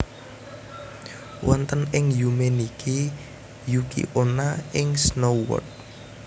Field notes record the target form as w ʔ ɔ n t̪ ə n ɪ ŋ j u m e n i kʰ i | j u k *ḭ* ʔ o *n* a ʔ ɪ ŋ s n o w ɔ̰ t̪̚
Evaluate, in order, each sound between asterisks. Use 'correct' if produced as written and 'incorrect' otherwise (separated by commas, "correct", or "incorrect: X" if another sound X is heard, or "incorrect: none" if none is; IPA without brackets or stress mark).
correct, correct